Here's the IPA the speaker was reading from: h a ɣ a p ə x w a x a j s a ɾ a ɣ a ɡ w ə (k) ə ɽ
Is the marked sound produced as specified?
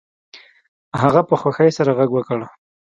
yes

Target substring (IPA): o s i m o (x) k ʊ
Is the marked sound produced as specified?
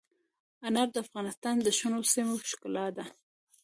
no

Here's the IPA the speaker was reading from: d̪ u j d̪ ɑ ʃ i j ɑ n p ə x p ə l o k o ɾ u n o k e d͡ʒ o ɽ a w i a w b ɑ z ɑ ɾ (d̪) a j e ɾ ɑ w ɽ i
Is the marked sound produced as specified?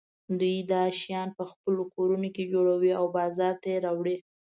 no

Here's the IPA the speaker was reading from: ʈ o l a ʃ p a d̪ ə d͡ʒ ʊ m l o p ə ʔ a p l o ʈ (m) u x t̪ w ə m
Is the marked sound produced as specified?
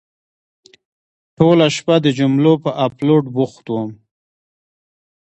no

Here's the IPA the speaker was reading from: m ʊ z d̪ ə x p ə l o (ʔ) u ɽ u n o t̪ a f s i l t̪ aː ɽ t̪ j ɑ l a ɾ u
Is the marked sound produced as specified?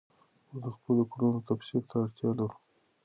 no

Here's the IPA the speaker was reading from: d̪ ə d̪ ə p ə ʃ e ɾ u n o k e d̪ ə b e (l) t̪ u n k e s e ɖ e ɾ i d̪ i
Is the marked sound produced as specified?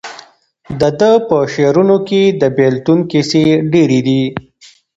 yes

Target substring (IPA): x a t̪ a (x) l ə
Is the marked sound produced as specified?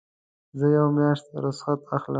yes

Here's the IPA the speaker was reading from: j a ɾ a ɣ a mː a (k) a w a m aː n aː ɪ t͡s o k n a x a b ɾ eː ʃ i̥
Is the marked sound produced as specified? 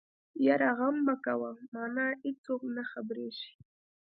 yes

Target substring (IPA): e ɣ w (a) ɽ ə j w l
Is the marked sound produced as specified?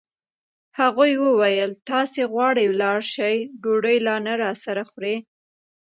no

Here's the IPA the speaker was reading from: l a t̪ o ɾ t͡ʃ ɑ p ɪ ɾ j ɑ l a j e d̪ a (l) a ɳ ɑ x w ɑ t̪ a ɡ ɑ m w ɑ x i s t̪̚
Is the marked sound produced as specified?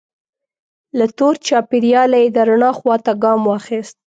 no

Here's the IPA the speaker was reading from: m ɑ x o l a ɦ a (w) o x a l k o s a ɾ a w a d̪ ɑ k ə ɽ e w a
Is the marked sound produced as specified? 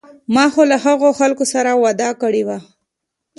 no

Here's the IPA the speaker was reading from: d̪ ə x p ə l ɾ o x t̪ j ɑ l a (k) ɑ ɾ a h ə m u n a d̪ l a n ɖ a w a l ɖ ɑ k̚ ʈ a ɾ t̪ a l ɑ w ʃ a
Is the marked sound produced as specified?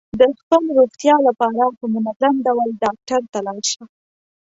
no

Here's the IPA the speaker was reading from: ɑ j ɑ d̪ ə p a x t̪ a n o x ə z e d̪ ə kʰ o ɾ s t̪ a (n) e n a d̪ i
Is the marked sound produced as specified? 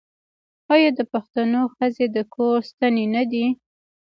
yes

